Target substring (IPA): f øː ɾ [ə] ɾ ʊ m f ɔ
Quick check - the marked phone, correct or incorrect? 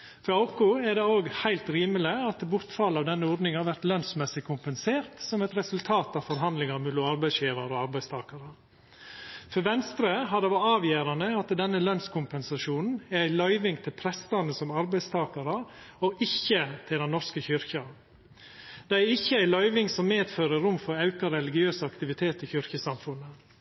correct